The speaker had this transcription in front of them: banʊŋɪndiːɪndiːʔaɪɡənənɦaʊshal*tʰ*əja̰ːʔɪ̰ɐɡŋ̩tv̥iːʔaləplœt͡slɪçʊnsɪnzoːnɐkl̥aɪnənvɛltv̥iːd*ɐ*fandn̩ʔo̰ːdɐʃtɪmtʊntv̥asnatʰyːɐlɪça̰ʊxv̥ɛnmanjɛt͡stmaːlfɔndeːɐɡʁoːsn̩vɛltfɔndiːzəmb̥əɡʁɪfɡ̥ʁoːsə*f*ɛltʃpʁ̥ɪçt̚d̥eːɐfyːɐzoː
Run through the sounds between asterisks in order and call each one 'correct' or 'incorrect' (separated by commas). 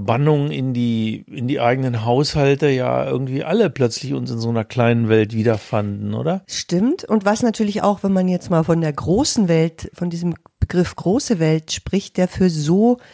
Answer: incorrect, correct, incorrect